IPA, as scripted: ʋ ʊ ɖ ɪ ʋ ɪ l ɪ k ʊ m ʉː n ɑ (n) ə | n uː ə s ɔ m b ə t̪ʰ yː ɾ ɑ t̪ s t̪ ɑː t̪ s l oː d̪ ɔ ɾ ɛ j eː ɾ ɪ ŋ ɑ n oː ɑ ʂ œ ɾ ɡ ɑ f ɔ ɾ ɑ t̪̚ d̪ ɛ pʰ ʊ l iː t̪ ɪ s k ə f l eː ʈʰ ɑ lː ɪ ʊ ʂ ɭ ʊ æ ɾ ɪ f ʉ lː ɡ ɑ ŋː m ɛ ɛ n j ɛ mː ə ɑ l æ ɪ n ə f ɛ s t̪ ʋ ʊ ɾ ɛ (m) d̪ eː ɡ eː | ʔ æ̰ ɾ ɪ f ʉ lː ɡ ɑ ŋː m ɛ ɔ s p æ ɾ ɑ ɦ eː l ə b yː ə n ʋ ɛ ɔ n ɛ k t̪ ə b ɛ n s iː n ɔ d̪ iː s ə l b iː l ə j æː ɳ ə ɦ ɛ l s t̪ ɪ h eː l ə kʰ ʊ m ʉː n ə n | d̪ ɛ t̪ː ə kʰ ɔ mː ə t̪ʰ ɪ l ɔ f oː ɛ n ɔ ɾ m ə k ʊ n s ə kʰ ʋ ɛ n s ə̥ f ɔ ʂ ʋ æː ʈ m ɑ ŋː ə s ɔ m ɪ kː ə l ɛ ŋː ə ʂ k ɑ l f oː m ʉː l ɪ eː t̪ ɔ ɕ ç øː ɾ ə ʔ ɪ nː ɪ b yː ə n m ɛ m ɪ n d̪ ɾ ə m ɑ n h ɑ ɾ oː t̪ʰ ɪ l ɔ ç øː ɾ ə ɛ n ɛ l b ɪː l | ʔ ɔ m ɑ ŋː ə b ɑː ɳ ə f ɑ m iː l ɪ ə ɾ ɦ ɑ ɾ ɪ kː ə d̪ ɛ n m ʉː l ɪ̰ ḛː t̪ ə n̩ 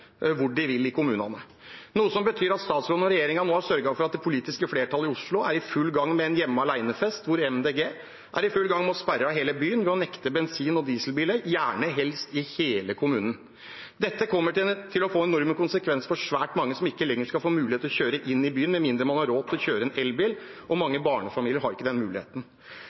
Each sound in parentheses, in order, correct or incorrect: correct, correct

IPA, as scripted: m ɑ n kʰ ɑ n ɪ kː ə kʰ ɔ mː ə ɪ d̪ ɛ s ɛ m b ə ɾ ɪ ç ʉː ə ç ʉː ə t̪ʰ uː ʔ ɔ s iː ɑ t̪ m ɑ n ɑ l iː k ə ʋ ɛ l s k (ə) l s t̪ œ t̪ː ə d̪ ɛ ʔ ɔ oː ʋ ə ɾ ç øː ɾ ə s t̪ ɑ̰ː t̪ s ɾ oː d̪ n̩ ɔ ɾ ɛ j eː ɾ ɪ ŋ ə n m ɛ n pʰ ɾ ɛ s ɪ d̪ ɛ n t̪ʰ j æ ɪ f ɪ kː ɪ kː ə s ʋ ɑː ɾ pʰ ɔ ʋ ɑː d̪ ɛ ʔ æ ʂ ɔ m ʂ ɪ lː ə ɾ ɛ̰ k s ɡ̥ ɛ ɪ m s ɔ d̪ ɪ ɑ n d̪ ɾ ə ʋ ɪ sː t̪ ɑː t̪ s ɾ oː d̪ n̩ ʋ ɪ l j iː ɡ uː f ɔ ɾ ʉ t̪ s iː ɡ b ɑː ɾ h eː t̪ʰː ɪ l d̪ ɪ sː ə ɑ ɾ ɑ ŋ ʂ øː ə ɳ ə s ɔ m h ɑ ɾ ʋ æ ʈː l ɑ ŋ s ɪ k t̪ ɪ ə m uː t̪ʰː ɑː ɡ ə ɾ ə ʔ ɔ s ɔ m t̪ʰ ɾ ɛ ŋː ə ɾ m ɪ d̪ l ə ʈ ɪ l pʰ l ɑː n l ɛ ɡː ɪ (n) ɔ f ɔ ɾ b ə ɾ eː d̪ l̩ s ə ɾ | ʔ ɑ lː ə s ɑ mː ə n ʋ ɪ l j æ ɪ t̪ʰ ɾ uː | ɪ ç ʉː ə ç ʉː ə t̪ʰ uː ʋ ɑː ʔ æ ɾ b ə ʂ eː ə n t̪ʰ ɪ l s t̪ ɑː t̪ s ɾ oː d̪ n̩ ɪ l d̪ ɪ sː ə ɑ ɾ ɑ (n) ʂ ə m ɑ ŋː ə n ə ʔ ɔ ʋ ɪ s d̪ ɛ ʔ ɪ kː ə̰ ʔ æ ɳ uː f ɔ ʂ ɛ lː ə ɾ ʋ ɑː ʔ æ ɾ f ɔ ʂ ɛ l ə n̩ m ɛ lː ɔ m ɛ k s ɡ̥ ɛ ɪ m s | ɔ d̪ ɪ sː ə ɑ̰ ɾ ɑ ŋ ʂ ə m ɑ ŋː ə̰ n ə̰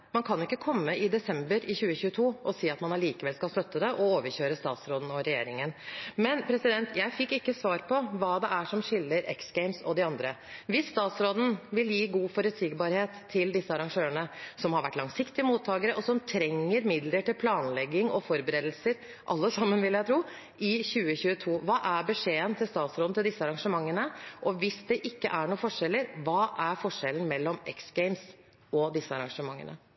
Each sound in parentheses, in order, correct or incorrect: incorrect, incorrect, incorrect

